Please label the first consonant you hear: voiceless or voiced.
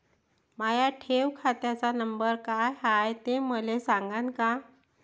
voiced